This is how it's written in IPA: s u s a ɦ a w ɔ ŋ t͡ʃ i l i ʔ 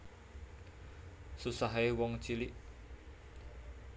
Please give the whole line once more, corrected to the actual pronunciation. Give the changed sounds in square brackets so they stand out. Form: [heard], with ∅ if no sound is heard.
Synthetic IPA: s u s a ɦ [e] w ɔ ŋ t͡ʃ i l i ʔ